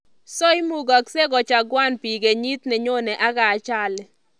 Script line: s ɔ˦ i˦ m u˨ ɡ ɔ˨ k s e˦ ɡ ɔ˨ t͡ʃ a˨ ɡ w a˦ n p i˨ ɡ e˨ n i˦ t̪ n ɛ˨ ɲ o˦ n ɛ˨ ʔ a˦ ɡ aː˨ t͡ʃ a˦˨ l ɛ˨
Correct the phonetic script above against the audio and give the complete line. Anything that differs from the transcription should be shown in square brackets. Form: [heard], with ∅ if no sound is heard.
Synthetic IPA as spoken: s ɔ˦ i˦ m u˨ ɡ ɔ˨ k s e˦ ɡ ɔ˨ t͡ʃ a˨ ɡ w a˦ n p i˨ ɡ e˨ [ɲ] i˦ t̪ n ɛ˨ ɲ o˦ n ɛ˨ ʔ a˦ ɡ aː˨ t͡ʃ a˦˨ l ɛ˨